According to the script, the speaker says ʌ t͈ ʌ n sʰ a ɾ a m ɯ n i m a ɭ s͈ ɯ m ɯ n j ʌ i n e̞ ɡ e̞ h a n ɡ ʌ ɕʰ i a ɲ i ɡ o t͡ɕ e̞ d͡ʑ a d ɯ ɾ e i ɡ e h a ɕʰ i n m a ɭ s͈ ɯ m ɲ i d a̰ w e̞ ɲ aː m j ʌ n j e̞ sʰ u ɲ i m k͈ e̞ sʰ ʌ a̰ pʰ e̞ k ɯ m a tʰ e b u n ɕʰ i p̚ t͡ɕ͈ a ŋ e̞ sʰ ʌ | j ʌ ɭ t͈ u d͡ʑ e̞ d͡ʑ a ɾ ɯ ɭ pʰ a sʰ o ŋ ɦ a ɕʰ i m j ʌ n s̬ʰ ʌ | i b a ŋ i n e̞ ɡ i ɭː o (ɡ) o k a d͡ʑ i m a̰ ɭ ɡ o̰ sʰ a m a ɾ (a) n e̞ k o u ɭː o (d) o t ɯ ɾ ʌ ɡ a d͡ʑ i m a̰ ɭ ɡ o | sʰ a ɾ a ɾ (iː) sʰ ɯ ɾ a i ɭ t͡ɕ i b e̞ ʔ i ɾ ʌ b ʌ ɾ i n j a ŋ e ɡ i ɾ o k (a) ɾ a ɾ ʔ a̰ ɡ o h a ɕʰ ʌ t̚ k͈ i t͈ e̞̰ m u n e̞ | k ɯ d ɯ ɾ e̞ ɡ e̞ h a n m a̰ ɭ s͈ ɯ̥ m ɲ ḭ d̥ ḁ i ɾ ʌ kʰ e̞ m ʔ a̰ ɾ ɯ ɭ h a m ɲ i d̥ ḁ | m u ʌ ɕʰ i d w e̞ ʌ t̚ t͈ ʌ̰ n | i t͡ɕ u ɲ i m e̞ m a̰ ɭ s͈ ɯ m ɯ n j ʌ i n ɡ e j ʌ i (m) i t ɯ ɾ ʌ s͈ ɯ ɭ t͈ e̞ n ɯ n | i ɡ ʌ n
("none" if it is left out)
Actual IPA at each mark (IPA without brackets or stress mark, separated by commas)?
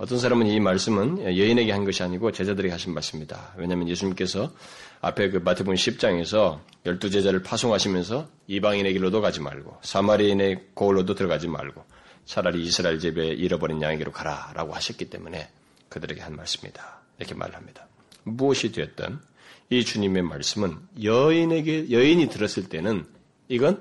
d, i, d, iː, a, ɲ